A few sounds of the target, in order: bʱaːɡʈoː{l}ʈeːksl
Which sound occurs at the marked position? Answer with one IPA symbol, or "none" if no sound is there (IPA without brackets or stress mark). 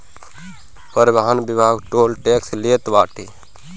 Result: l